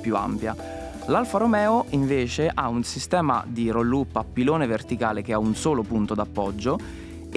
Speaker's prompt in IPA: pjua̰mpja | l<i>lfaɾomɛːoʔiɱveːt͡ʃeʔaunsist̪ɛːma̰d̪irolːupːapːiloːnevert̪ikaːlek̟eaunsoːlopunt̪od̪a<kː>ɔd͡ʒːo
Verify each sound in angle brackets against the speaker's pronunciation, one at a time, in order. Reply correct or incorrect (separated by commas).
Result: incorrect, incorrect